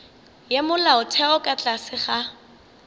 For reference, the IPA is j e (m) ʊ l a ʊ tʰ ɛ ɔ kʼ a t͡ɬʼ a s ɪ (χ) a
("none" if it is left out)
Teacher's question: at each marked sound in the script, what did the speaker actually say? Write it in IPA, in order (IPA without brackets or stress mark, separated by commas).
m, χ